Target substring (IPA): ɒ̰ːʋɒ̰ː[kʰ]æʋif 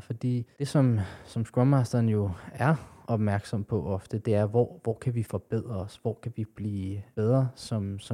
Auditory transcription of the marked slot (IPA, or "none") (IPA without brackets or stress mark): kʰ